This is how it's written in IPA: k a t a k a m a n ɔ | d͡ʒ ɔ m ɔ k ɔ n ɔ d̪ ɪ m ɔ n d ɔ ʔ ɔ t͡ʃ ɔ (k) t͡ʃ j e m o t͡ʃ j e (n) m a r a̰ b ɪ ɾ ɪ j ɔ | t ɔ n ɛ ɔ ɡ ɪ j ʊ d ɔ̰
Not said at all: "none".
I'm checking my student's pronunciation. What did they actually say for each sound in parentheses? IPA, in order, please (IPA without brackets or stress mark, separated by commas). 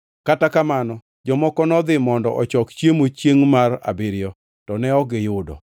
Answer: k, ŋ